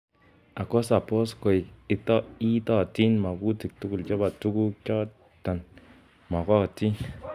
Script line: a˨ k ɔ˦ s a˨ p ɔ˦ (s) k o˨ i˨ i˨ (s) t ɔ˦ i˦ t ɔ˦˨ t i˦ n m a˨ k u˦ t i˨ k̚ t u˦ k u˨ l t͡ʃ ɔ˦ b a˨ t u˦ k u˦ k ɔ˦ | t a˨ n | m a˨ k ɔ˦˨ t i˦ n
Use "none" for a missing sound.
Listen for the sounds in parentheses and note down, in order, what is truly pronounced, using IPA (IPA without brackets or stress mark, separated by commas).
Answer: s, none